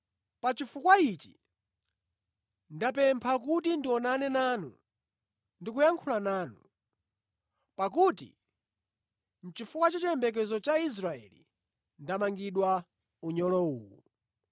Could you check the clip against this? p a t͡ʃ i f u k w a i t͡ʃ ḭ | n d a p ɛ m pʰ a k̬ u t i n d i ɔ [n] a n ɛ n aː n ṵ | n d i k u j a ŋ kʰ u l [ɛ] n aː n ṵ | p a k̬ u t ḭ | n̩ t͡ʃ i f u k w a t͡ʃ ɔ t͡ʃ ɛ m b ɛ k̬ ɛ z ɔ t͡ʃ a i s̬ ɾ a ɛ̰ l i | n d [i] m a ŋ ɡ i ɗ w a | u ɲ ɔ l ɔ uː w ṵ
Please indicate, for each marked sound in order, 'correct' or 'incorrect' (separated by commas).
correct, incorrect, incorrect